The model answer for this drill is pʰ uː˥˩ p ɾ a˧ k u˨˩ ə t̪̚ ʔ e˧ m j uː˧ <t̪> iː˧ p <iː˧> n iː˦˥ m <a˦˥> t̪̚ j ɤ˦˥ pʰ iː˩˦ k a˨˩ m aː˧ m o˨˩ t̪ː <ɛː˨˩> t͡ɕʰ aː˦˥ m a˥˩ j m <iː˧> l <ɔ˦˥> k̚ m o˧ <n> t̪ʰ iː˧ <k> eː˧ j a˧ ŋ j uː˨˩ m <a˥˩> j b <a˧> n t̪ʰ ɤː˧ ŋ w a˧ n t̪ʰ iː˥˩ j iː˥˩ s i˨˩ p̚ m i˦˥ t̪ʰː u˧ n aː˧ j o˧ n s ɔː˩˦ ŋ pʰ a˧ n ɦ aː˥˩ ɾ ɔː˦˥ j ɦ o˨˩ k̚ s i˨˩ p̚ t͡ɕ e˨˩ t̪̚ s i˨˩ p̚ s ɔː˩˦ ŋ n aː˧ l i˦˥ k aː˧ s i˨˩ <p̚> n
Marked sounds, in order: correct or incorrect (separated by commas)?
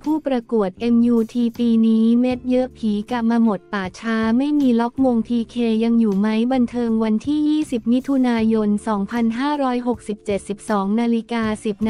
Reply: incorrect, correct, incorrect, incorrect, correct, correct, incorrect, incorrect, incorrect, correct, correct